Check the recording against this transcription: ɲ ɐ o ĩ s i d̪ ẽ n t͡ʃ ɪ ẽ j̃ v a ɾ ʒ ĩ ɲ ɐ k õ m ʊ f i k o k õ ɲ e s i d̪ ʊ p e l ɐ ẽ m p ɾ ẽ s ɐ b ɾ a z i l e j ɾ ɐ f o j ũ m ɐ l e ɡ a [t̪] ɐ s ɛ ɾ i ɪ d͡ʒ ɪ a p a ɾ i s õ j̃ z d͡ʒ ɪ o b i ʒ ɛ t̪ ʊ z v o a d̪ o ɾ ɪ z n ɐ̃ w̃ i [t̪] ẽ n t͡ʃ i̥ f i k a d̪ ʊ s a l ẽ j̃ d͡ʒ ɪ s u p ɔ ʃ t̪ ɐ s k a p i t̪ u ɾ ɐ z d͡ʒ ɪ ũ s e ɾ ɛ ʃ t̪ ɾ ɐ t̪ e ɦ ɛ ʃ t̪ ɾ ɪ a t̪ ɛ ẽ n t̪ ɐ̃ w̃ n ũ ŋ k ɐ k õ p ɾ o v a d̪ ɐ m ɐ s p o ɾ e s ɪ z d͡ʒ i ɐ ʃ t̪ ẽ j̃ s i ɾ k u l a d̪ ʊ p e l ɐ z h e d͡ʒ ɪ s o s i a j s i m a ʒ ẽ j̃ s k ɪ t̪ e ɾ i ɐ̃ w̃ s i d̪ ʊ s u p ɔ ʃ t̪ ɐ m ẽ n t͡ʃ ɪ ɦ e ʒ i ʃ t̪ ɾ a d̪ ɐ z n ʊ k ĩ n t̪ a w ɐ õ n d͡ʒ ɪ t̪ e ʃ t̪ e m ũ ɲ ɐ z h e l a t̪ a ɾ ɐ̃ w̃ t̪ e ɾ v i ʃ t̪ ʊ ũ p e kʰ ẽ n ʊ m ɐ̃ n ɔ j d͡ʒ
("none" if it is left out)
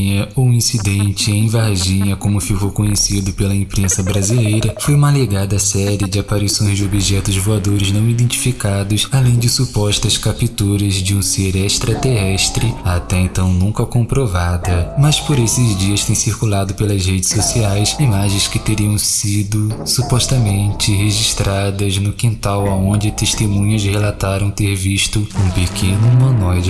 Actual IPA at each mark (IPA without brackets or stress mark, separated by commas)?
d̪, d̪